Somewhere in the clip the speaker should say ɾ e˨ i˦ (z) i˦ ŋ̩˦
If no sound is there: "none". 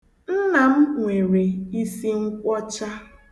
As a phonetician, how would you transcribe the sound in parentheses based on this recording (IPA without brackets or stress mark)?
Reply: s